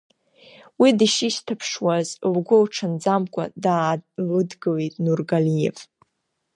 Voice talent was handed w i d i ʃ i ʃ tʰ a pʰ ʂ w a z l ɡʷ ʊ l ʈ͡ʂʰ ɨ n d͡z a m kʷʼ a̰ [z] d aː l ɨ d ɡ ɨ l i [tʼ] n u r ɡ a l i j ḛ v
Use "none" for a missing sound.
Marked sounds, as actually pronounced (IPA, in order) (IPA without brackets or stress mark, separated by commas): none, tʼ